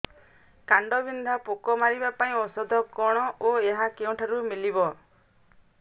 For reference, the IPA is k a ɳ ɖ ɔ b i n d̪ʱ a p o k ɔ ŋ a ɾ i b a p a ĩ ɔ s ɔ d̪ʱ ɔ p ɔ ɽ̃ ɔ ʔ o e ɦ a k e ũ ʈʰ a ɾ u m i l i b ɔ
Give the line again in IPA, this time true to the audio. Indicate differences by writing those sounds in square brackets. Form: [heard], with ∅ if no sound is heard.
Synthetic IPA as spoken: k a ɳ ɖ ɔ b i n d̪ʱ a p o k ɔ [m] a ɾ i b a p a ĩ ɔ s ɔ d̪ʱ ɔ [k] ɔ ɽ̃ ɔ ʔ o e ɦ a k e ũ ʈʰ a ɾ u m i l i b ɔ